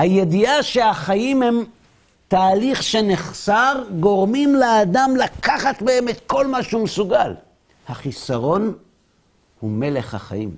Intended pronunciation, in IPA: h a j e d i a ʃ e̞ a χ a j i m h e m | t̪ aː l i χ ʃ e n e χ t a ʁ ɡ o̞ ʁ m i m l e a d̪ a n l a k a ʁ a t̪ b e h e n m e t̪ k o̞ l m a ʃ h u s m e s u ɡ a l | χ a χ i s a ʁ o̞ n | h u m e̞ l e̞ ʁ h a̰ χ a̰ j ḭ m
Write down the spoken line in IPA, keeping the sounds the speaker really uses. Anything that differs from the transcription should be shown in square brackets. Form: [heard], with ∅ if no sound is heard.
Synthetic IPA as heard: h a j e d i a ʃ e̞ a χ a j i m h e m | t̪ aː l i χ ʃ e n e χ [s] a ʁ ɡ o̞ ʁ m i m l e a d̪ a [m] l a k a [χ] a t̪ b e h e [∅] m e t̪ k o̞ l m a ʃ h u [∅] m e s u ɡ a l | [h] a χ i s a ʁ o̞ n | h u m e̞ l e̞ [χ] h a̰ χ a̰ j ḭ m